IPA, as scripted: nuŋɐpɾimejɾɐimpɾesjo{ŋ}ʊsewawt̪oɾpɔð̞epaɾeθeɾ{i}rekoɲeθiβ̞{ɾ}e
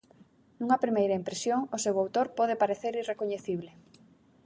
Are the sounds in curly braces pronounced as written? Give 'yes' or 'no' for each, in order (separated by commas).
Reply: yes, yes, no